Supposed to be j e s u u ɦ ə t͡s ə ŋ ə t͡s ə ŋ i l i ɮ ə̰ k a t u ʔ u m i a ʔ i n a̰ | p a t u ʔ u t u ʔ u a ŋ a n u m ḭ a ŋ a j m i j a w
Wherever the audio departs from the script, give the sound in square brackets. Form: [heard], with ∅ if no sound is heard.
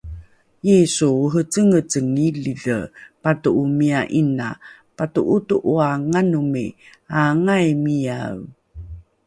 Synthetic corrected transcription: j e s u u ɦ ə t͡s ə ŋ ə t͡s ə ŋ i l i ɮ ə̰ [p] a t u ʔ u m i a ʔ i n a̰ | p a t u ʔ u t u ʔ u a ŋ a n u m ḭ a ŋ a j m i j a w